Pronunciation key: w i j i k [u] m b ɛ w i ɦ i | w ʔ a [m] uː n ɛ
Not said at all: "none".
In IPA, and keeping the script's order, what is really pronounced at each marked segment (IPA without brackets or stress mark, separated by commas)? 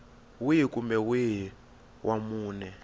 u, m